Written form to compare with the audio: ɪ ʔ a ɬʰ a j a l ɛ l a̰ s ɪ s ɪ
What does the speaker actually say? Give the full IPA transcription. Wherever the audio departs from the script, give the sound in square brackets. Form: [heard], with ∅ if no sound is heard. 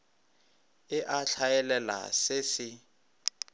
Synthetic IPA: ɪ ʔ a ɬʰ a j [ɛ] l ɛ l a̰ s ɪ s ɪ